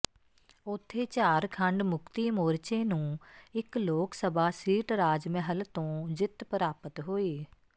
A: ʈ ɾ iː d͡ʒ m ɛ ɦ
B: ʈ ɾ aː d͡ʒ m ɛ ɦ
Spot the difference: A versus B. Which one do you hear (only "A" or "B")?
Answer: B